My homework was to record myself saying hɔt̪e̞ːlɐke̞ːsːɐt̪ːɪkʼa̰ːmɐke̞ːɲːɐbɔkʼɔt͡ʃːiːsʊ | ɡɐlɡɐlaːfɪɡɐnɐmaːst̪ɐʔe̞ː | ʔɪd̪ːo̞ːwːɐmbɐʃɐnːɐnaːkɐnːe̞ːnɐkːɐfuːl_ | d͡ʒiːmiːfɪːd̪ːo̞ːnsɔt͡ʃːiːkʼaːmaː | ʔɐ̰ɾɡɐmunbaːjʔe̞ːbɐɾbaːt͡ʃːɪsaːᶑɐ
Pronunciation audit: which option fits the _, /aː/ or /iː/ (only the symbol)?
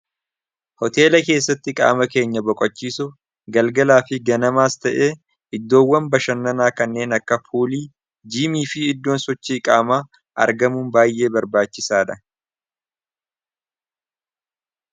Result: iː